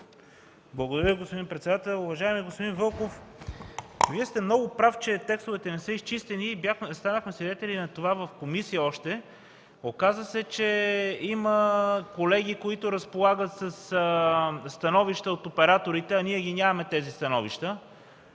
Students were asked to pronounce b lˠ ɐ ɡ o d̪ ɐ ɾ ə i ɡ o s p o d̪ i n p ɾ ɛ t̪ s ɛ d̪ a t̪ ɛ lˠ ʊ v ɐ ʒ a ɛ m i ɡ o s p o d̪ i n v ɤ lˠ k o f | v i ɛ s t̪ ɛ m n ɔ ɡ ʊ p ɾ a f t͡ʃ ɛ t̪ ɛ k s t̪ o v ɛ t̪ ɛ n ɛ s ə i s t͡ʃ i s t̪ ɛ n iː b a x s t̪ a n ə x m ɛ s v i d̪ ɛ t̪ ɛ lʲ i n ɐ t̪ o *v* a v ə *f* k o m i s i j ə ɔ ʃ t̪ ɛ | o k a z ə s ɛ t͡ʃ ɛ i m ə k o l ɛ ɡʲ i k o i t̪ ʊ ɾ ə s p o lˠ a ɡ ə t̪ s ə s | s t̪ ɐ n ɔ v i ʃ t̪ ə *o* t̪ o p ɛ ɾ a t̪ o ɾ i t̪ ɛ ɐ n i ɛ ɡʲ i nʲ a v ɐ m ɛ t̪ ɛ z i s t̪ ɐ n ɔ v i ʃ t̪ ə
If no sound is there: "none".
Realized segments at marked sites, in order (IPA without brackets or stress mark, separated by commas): v, f, o